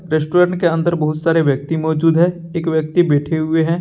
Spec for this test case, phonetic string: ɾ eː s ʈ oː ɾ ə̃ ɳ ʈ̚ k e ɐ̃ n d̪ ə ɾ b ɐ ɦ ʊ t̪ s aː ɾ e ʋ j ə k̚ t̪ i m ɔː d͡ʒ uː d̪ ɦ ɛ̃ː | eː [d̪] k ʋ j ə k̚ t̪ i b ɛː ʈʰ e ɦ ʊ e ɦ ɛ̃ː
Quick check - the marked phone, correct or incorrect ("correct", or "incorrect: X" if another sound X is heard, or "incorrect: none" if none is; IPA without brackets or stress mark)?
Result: incorrect: none